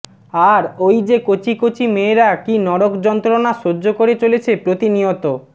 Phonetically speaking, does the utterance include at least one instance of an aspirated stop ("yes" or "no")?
yes